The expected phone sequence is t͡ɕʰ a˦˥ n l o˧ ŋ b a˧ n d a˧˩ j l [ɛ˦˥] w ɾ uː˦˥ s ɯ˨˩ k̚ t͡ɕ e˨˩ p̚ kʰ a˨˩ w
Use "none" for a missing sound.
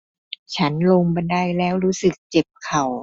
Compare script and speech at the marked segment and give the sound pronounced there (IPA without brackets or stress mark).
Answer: ɛː˦˥